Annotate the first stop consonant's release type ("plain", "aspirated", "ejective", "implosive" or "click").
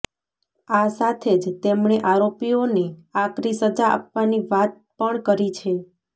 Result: aspirated